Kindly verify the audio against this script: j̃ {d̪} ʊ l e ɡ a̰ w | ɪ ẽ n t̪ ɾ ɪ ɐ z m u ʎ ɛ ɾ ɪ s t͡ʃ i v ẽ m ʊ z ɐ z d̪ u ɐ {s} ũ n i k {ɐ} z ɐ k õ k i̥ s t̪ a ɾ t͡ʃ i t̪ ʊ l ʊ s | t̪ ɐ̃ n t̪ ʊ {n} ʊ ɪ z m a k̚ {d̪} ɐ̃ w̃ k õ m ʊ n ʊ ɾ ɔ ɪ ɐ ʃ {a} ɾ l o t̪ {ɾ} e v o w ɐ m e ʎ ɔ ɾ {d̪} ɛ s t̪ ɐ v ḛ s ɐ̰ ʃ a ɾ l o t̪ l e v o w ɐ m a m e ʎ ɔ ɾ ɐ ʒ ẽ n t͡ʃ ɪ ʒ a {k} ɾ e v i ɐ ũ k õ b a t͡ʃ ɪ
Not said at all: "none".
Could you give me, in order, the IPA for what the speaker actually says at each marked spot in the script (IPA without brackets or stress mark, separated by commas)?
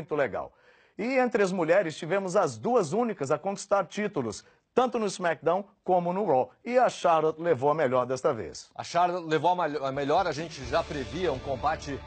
t̪, z, ɐ, n, d̪, a, l, d̪, p